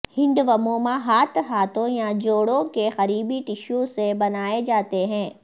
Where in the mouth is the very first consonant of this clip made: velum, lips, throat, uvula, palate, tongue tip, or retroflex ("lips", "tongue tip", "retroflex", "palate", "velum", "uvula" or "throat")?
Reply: throat